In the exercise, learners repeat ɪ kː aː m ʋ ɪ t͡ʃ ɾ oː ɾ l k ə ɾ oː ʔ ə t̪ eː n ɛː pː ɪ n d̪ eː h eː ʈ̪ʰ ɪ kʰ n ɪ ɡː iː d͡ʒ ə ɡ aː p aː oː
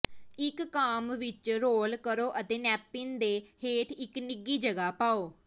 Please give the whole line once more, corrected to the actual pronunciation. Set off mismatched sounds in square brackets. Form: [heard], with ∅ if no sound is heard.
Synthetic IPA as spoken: ɪ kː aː m ʋ ɪ t͡ʃ ɾ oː [∅] l k ə ɾ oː ʔ ə t̪ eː n ɛː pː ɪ n d̪ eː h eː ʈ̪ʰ ɪ [k] n ɪ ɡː iː d͡ʒ ə ɡ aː p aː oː